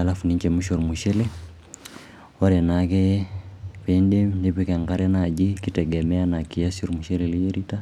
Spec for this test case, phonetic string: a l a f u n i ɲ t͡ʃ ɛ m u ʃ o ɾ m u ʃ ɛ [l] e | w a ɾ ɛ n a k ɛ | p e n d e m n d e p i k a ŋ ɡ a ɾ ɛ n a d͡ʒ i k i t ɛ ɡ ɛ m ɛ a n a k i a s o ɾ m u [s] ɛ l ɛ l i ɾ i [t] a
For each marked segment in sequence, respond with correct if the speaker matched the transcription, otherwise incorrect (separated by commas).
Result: correct, incorrect, correct